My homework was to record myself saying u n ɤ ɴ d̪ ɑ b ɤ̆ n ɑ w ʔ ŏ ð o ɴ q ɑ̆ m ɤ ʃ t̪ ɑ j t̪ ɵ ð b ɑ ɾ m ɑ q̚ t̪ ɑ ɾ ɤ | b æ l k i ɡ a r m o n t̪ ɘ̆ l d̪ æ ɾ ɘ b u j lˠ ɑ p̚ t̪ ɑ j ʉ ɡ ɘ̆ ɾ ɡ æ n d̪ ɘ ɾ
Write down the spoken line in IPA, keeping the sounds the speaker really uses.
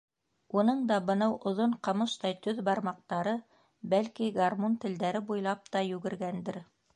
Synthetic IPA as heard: u n ɤ ɴ d̪ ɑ b ɤ̆ n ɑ w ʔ ŏ ð o ɴ q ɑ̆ m ɤ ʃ t̪ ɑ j t̪ ɵ ð b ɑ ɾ m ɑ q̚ t̪ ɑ ɾ ɤ | b æ l k i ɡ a r m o n t̪ ɘ̆ l d̪ æ ɾ ɘ b u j lˠ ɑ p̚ t̪ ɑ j ʉ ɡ ɘ̆ ɾ ɡ æ n d̪ ɘ ɾ